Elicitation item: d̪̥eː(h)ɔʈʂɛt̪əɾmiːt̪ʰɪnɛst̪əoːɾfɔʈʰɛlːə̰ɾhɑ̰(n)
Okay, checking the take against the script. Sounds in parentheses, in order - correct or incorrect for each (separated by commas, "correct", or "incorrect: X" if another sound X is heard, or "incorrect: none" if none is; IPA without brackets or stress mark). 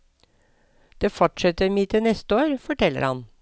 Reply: incorrect: f, correct